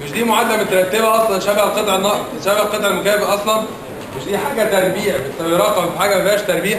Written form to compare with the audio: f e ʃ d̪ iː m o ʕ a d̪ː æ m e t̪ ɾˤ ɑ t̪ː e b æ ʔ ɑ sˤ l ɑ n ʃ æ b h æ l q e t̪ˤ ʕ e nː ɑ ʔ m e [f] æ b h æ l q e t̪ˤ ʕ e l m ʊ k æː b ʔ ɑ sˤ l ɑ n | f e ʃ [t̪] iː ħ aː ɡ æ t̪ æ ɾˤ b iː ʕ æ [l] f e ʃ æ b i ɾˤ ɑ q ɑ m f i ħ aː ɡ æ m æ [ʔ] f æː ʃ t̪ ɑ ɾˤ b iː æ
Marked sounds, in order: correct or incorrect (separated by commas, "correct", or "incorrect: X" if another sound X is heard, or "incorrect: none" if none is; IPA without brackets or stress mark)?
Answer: incorrect: ʃ, incorrect: d̪, incorrect: none, incorrect: none